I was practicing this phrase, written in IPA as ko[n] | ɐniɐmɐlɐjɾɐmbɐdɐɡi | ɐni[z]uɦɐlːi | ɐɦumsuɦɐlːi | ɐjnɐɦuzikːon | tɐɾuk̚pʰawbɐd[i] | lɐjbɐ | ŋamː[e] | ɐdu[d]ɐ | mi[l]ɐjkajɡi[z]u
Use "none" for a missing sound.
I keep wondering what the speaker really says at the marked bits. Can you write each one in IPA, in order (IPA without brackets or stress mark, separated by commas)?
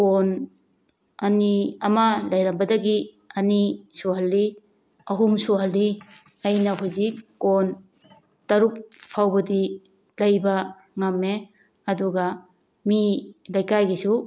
n, s, i, e, ɡ, l, s